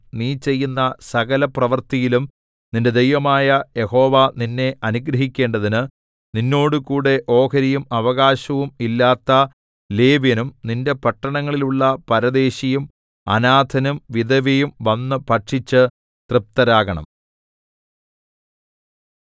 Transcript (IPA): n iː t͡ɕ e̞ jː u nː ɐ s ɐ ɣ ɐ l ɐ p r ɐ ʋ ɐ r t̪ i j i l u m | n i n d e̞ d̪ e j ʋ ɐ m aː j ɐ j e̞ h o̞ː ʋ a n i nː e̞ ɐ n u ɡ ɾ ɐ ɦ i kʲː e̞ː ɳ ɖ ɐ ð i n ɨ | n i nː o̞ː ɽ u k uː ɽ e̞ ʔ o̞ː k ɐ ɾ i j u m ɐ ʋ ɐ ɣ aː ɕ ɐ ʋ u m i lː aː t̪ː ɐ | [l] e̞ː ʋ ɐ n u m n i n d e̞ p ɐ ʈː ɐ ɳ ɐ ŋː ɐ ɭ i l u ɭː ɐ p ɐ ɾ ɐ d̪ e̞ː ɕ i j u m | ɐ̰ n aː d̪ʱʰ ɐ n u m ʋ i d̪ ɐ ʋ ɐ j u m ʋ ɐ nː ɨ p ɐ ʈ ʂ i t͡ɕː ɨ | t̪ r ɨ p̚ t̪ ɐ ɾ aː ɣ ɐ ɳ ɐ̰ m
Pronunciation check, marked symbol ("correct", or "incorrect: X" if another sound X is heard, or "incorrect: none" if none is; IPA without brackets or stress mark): correct